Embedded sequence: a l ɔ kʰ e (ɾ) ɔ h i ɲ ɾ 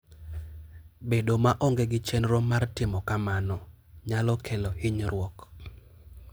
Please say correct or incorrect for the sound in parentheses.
incorrect